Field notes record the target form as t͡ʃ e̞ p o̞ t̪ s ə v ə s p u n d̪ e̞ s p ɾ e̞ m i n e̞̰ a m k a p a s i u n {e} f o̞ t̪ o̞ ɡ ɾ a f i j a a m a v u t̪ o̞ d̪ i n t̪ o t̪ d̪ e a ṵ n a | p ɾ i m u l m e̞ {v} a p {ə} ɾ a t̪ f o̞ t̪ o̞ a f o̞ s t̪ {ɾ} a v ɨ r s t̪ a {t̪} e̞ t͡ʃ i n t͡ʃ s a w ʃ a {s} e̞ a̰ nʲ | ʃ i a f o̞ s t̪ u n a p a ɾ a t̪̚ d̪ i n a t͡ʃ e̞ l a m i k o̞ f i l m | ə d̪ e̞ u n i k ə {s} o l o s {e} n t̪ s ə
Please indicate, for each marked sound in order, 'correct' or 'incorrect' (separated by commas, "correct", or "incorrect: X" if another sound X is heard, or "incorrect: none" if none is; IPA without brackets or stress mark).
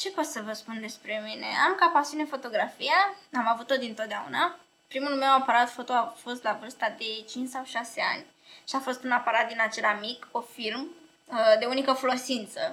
correct, incorrect: w, incorrect: a, incorrect: l, incorrect: d̪, correct, incorrect: f, incorrect: i